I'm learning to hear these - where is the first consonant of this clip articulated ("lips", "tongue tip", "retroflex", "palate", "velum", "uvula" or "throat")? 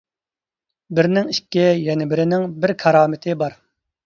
lips